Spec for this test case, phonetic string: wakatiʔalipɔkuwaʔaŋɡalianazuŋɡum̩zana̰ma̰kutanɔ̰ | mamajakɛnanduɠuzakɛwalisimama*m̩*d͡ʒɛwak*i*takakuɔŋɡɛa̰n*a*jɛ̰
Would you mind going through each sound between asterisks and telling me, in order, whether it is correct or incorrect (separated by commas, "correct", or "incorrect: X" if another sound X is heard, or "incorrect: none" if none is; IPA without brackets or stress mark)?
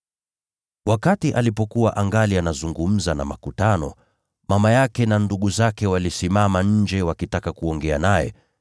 incorrect: ɲ̩, correct, correct